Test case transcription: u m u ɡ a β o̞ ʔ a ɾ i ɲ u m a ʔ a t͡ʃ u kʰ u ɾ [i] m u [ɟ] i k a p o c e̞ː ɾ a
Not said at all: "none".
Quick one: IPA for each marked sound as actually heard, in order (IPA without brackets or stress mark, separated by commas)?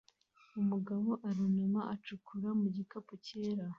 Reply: a, ɟ